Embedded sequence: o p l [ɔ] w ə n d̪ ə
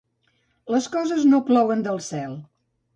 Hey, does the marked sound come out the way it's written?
yes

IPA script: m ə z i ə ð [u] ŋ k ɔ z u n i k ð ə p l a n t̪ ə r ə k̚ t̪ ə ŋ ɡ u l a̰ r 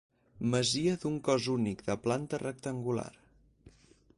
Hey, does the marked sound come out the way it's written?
yes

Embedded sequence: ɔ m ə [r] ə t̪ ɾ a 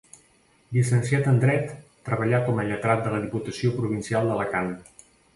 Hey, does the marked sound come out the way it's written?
no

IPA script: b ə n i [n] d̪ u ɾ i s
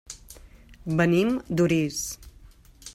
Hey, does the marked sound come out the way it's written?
no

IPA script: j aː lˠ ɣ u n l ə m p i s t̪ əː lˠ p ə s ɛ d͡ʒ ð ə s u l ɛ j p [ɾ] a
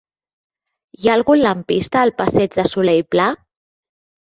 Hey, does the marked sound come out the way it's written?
no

